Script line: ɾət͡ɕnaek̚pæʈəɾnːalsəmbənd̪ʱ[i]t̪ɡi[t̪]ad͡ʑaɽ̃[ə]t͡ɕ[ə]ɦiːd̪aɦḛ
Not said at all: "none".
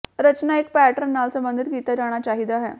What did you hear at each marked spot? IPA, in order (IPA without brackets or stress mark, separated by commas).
i, t̪, a, a